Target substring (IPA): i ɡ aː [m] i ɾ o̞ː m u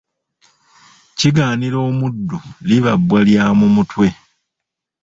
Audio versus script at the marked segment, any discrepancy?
yes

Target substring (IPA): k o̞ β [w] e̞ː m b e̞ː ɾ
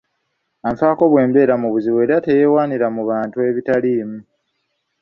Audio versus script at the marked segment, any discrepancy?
no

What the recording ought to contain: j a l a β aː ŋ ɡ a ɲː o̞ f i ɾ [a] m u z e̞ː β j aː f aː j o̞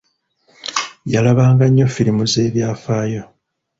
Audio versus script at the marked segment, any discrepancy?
yes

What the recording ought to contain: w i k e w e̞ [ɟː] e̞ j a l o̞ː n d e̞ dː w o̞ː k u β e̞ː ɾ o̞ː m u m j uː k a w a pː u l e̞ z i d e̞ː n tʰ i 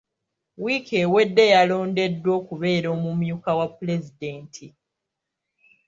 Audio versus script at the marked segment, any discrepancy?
yes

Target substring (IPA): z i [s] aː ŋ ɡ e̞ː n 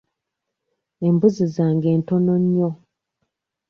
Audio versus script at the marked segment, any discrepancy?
yes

